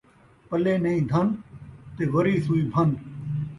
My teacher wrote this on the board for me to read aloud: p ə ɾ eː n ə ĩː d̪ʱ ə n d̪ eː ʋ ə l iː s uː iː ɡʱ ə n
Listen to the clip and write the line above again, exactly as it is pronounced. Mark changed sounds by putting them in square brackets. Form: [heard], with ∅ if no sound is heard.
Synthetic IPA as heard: p ə [l] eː n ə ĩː d̪ʱ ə n [t̪] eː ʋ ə [ɾ] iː s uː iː [bʱ] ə n